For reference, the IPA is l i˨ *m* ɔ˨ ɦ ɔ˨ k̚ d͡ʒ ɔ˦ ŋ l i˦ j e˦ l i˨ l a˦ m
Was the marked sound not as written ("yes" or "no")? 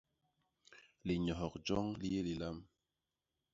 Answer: yes